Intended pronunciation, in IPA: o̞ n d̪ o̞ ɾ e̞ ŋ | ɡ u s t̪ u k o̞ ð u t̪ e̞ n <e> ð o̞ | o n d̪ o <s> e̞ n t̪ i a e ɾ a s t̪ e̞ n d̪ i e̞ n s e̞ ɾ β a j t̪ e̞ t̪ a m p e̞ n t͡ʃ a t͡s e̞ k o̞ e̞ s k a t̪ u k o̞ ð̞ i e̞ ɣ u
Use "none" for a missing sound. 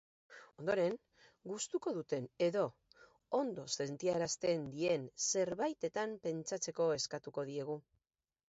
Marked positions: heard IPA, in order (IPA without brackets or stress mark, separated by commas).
e, s